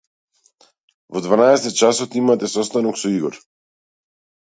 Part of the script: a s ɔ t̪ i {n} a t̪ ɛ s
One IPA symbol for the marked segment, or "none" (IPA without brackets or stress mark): m